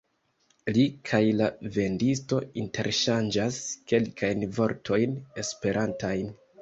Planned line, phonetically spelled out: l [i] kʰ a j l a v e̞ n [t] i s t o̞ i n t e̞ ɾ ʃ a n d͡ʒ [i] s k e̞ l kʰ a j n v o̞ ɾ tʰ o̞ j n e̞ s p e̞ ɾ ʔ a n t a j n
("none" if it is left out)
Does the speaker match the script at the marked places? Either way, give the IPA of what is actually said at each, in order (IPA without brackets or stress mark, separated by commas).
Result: i, d, a